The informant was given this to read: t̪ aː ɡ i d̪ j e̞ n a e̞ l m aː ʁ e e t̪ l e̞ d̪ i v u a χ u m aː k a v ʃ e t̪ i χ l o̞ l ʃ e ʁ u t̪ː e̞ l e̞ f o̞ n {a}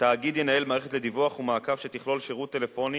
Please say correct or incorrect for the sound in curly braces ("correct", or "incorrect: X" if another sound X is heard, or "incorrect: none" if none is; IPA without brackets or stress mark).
incorrect: i